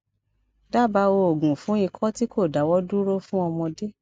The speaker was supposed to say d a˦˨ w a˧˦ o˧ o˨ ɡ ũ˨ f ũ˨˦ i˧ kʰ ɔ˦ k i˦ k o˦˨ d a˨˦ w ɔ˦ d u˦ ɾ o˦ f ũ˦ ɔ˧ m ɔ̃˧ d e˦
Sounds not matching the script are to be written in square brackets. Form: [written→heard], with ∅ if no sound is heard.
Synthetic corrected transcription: d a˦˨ [w→b] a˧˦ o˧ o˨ ɡ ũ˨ f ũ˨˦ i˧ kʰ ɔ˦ [k→t] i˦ k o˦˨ d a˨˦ w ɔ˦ d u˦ ɾ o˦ f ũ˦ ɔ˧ m ɔ̃˧ d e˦